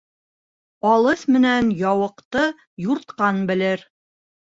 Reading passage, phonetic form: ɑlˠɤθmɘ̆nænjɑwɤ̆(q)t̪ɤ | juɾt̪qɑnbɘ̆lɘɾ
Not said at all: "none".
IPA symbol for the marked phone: q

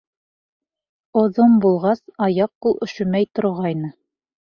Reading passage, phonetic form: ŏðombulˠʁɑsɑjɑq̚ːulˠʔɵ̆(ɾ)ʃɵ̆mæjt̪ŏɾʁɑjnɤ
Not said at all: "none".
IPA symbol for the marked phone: none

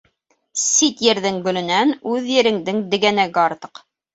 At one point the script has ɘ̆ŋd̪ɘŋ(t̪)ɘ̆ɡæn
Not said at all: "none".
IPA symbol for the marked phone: d̪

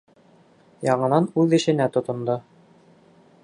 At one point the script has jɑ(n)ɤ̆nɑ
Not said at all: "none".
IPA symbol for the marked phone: ɴ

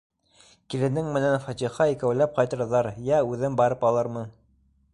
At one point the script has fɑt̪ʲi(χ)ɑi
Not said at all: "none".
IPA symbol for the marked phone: χ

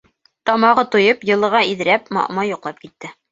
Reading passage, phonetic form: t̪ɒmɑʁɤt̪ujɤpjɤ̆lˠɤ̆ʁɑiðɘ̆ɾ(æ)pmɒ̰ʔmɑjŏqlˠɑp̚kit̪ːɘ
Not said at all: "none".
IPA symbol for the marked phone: æ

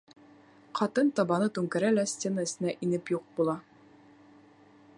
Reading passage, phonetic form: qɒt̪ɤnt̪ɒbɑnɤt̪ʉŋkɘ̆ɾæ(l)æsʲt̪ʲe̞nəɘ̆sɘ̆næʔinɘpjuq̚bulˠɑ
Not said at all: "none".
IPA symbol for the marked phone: l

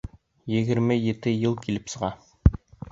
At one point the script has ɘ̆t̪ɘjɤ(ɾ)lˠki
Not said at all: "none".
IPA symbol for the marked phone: none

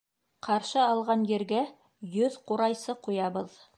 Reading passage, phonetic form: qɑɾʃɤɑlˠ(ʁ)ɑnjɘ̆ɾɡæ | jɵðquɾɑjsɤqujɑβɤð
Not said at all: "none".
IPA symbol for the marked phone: ʁ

